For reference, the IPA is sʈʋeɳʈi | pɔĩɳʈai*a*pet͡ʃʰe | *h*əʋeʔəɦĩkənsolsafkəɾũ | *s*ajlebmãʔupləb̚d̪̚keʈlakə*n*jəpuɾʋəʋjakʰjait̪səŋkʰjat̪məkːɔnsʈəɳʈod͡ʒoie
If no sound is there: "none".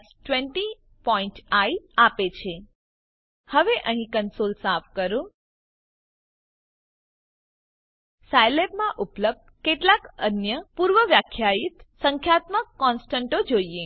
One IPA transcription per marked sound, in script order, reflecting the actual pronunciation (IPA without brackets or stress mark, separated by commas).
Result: a, h, s, n